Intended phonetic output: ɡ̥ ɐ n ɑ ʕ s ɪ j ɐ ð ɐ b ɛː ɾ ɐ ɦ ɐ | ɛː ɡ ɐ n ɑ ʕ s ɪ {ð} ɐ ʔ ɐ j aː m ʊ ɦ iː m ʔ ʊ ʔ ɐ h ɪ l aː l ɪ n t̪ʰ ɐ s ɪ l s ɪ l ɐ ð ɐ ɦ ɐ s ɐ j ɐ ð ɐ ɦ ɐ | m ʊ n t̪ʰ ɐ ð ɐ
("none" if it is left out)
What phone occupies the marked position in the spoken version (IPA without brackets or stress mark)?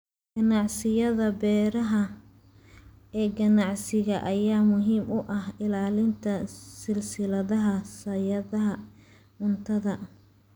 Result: ɣ